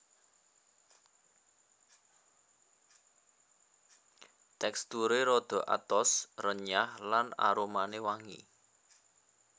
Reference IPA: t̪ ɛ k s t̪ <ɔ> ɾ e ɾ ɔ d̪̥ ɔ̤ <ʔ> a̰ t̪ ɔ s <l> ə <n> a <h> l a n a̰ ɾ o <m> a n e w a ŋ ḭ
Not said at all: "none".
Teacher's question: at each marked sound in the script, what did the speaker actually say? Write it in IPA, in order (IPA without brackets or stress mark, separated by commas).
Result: u, ʔ, r, ɲ, h, m